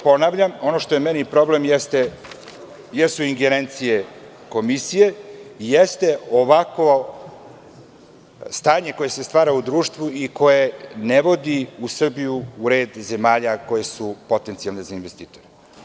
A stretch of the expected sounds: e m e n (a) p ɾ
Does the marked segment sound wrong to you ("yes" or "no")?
yes